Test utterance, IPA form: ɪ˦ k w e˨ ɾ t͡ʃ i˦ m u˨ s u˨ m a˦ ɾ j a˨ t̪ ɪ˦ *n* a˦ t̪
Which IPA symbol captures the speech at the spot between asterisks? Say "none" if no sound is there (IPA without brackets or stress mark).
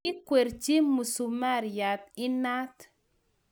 n